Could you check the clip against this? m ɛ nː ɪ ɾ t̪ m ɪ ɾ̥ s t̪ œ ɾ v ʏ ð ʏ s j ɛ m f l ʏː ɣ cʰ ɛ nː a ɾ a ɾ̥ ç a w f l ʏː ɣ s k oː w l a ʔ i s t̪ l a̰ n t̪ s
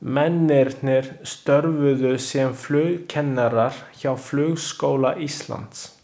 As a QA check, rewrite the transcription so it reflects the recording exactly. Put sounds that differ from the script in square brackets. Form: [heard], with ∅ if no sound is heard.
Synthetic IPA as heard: m ɛ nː ɪ ɾ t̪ [n] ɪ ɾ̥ s t̪ œ ɾ v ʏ ð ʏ s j ɛ m f l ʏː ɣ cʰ ɛ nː a ɾ a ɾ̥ ç a w f l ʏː ɣ s k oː w l a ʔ i s t̪ l a̰ n t̪ s